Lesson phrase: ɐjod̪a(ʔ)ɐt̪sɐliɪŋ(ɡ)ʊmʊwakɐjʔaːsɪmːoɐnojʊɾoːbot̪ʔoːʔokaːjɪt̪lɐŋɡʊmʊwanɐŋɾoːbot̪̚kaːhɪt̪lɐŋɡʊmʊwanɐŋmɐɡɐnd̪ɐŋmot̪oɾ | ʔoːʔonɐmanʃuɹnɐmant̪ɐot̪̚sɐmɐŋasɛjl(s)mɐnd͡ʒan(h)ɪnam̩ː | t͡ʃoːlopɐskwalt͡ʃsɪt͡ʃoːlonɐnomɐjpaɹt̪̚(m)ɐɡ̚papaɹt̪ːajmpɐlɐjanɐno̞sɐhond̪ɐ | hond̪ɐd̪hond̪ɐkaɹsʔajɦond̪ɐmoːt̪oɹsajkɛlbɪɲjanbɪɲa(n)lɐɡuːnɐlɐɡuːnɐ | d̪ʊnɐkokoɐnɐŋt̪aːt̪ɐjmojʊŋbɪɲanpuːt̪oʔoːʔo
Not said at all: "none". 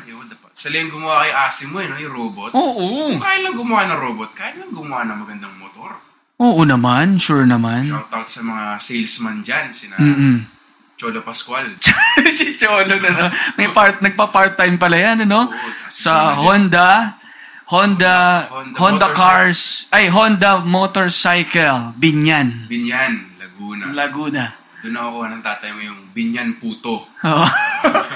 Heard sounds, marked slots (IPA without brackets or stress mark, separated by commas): p, ɡ, s, s, n, n